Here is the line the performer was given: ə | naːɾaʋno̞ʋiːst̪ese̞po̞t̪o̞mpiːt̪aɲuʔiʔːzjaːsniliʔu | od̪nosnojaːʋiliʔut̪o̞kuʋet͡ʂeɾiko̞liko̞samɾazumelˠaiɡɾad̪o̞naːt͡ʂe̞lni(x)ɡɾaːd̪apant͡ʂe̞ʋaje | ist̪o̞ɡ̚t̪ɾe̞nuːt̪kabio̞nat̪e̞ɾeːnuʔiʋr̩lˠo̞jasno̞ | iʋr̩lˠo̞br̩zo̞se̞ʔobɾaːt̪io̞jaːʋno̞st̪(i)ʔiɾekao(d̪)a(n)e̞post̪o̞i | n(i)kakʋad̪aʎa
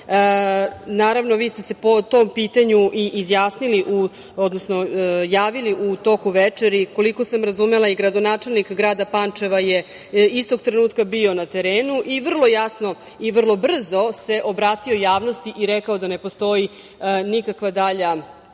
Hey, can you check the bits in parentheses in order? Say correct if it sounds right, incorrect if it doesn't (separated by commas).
incorrect, correct, correct, correct, correct